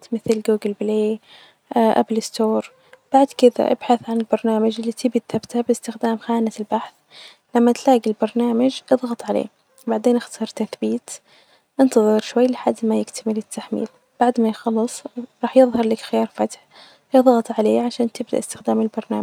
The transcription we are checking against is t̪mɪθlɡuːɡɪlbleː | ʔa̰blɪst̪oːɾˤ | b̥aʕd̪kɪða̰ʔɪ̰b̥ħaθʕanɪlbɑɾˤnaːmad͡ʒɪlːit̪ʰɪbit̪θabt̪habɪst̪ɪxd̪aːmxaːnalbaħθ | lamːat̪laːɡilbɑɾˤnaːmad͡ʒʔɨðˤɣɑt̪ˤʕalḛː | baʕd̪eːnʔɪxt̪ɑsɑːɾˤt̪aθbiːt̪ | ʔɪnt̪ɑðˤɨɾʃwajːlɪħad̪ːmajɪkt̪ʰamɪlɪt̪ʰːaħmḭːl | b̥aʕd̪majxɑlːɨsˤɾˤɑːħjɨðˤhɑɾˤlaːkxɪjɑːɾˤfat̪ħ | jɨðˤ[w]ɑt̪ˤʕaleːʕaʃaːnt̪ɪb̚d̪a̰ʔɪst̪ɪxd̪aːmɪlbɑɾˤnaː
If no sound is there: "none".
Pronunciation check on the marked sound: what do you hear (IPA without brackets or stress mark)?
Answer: ɣ